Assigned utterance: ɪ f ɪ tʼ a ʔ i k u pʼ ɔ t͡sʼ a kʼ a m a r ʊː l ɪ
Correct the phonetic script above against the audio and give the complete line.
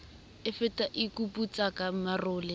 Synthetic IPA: ɪ f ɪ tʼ a ʔ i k u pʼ u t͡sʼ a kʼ a m a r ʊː l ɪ